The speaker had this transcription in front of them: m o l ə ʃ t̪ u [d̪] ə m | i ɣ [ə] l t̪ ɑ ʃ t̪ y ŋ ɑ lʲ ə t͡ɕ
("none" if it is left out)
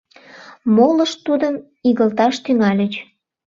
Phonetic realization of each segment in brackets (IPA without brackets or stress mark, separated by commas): d̪, ə